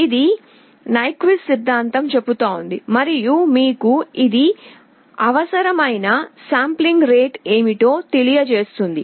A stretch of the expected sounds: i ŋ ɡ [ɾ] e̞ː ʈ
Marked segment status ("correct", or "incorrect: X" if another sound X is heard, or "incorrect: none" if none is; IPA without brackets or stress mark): correct